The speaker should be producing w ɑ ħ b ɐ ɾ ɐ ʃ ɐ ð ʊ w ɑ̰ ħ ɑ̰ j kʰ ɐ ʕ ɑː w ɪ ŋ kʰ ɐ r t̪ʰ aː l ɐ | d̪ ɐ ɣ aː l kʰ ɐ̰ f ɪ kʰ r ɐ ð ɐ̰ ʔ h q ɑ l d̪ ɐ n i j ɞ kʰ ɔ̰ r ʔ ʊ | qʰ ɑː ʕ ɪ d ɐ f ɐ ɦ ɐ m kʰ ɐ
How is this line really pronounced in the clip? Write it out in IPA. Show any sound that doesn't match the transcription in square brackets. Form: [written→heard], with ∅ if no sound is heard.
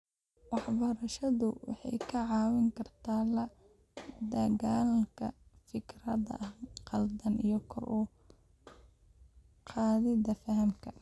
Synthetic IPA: w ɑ ħ b ɐ ɾ ɐ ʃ ɐ ð ʊ w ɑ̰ ħ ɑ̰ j kʰ ɐ ʕ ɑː w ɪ ŋ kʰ ɐ r t̪ʰ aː l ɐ | d̪ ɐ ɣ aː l kʰ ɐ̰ f ɪ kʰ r ɐ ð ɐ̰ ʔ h q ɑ l d̪ ɐ n i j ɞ kʰ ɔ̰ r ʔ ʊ | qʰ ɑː [ʕ→ð] ɪ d ɐ f ɐ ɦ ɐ m kʰ ɐ